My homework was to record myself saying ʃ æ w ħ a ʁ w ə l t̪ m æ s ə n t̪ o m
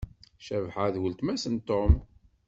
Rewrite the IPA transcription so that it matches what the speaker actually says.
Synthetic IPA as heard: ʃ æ v ħ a ð w ə l t̪ m æ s ə n t̪ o m